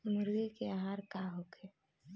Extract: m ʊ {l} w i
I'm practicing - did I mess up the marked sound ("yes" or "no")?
yes